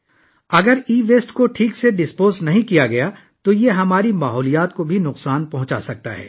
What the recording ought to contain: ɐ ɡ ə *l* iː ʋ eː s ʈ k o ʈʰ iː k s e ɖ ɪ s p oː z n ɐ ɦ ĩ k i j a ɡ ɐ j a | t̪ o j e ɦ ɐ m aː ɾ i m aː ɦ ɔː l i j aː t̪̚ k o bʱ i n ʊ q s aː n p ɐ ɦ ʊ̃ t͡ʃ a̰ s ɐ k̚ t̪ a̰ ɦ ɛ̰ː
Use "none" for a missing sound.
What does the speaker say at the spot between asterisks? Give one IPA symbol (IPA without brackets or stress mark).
ɾ